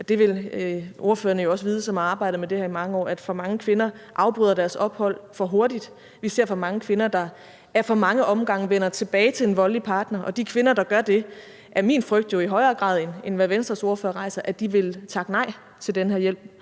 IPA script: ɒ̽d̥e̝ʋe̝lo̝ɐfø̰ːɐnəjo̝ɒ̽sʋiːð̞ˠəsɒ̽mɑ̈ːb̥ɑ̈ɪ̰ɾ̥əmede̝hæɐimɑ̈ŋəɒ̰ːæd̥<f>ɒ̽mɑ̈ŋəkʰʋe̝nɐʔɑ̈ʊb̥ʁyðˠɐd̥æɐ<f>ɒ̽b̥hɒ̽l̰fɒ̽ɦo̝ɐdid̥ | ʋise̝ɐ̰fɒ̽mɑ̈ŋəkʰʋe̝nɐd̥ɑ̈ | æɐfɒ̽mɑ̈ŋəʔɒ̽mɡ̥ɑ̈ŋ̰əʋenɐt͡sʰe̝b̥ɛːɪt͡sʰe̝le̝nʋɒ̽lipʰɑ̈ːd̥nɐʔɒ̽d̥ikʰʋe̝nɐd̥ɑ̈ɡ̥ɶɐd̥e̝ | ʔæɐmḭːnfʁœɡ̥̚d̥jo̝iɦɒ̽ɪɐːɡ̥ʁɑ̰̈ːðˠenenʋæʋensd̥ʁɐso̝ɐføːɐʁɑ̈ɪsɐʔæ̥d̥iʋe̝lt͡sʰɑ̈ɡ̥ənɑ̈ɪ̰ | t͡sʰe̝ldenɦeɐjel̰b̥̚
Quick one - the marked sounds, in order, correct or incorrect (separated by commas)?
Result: correct, incorrect